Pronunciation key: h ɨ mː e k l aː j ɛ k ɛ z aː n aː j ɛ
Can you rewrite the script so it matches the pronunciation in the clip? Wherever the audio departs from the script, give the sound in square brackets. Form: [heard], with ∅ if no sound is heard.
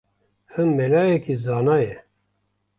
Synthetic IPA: h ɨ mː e [∅] l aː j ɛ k [i] z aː n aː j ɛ